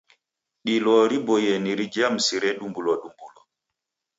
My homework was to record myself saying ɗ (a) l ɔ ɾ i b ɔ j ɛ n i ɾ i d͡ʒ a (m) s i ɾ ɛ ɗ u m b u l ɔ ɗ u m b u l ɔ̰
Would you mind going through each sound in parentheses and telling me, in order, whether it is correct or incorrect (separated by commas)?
incorrect, correct